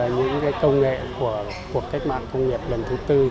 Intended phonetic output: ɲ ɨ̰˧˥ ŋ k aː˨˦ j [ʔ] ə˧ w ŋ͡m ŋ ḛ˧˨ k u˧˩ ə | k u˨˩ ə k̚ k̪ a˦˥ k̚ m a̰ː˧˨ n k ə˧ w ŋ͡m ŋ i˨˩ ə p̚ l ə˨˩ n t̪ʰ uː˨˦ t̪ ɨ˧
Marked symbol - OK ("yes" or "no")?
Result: no